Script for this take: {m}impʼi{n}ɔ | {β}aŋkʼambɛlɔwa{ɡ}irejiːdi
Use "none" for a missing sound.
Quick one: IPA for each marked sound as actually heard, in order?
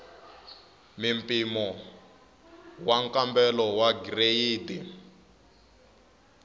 m, m, w, ɡ

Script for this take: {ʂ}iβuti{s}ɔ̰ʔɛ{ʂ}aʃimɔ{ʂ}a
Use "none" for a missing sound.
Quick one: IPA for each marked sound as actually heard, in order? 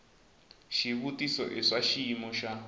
ʃ, s, ʂ, ʃ

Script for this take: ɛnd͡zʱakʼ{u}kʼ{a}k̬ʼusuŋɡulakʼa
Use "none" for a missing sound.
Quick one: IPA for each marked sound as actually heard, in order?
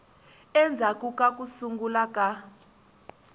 u, a

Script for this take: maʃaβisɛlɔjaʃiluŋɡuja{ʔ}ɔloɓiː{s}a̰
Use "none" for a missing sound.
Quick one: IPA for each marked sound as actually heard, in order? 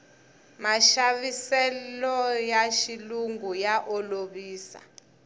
ʔ, s

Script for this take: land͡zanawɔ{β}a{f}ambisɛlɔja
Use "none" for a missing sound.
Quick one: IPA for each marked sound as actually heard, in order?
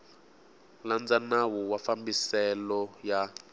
w, f

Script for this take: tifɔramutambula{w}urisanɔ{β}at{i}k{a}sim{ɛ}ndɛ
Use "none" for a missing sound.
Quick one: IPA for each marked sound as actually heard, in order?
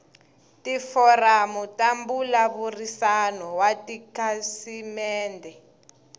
β, w, i, a, ɛː

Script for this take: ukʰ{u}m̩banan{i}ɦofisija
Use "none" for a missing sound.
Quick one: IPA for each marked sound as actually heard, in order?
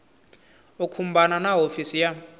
u, a

